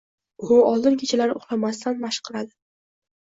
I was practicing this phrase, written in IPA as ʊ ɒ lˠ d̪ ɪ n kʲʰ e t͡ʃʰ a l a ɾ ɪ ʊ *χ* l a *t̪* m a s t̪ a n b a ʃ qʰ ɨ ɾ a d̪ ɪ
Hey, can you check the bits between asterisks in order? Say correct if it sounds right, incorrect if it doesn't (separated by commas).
correct, incorrect